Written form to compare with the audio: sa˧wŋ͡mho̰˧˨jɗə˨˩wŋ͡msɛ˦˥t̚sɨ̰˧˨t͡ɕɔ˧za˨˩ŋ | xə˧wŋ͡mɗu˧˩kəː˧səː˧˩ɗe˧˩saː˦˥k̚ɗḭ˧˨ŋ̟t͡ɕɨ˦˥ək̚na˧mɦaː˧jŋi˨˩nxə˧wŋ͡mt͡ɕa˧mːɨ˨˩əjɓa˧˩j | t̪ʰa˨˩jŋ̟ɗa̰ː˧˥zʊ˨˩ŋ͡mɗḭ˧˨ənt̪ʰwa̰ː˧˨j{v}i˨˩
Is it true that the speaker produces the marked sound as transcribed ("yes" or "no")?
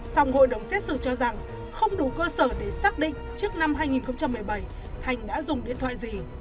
no